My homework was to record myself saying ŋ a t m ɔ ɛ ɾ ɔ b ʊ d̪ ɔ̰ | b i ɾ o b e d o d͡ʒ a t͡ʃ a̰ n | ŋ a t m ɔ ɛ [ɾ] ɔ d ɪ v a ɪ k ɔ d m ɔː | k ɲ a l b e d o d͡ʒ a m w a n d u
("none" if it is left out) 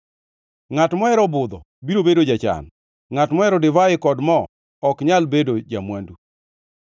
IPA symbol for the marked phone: ɾ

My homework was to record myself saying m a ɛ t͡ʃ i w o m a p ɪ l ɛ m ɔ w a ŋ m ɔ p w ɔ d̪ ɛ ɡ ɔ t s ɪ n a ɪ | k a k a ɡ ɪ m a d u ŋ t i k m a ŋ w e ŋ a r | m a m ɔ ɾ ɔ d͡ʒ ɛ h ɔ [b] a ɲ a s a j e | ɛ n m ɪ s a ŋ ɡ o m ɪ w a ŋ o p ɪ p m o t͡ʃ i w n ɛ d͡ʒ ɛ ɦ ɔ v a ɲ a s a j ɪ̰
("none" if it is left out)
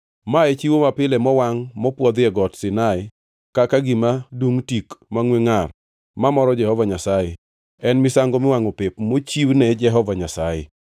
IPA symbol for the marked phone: v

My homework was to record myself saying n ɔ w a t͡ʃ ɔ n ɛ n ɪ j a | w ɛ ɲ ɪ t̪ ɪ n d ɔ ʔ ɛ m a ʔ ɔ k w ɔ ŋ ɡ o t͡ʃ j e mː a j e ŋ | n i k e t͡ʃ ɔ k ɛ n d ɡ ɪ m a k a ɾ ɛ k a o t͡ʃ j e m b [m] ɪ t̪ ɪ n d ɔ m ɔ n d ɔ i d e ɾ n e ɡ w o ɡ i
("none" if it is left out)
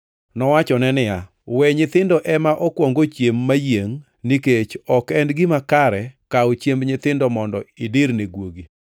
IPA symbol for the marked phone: ɲ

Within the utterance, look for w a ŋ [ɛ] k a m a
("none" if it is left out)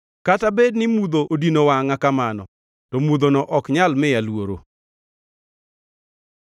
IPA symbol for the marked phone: a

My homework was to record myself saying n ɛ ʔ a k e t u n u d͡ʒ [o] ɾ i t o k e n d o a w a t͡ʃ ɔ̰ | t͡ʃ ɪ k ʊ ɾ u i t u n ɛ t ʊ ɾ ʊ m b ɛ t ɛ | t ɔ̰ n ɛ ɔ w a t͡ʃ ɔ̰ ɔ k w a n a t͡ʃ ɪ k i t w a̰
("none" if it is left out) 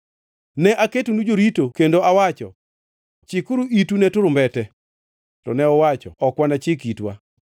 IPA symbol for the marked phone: o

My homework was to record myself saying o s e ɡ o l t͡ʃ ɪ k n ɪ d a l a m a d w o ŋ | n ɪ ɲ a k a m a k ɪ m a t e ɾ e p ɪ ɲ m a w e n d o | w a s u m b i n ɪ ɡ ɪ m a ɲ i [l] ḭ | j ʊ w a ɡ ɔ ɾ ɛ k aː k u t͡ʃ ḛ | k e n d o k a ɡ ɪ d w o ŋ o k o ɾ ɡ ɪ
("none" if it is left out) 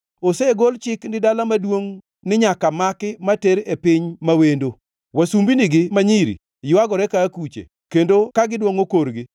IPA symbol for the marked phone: ɾ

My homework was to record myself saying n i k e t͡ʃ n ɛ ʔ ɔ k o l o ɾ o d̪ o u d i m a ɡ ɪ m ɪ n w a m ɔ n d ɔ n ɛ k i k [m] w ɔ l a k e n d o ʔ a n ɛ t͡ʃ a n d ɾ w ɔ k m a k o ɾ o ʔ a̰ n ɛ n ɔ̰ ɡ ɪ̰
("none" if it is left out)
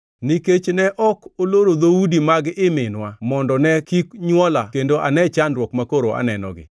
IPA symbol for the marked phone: ɲ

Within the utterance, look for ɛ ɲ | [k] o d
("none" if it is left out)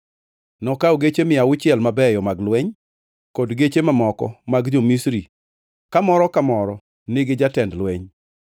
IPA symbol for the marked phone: k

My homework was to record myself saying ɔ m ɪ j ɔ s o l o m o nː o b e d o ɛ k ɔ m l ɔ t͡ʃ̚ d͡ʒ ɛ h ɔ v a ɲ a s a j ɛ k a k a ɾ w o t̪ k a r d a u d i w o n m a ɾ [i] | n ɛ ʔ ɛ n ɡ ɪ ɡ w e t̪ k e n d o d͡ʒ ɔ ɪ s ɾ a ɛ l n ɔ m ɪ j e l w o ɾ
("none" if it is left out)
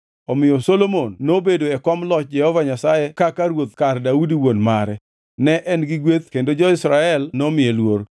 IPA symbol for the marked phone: ɛ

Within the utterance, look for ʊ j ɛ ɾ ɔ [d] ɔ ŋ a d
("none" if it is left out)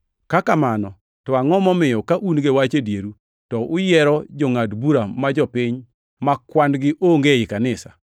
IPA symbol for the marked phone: d͡ʒ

